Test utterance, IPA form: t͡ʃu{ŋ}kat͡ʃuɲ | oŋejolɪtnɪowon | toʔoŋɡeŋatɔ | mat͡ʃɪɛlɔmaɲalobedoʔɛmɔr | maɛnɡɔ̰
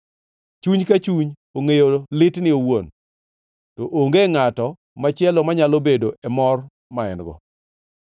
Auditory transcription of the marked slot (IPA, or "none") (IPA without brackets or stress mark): ɲ